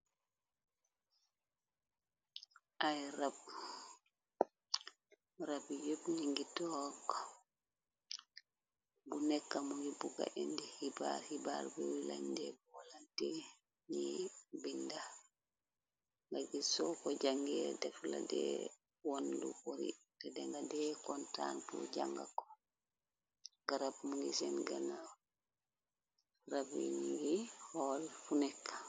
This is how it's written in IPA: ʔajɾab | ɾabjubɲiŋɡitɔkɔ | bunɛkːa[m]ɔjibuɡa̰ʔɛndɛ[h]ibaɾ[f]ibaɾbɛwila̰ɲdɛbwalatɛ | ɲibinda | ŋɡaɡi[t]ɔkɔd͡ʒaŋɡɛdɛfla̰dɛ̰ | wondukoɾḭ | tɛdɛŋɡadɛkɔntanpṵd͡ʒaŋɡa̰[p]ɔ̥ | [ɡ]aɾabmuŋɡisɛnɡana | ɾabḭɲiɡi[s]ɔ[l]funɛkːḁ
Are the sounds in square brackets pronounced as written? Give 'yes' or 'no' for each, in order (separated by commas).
yes, yes, no, no, no, yes, no, yes